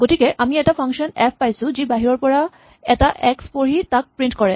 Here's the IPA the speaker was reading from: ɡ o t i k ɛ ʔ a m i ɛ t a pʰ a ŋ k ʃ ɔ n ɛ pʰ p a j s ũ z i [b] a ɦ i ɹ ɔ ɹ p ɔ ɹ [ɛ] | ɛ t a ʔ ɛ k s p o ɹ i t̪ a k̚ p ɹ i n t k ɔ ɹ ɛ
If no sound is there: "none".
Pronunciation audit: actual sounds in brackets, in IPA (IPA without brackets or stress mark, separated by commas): b, a